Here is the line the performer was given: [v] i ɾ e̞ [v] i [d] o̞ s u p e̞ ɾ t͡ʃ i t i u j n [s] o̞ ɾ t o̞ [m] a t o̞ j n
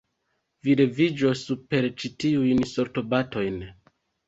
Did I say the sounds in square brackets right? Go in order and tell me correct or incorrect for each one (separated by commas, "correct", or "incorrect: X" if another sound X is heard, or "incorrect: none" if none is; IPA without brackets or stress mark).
correct, correct, incorrect: d͡ʒ, correct, incorrect: b